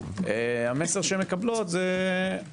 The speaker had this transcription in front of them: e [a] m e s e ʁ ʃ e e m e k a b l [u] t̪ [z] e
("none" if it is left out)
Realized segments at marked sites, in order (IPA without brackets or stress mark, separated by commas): a, o, z